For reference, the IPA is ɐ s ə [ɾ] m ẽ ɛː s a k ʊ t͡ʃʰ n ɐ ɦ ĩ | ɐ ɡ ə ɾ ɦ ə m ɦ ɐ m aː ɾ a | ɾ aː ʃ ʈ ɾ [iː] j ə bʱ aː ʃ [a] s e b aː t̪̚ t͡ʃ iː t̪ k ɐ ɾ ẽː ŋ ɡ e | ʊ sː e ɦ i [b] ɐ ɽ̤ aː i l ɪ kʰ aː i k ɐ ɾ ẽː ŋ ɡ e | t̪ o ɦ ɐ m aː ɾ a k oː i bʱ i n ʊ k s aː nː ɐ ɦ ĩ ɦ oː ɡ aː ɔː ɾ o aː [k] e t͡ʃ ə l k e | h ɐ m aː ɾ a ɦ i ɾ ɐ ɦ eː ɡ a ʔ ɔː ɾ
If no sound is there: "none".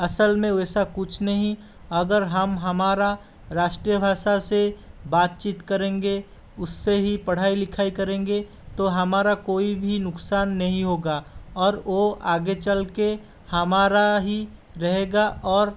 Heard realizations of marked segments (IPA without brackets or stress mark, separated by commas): l, i, a, p, ɡ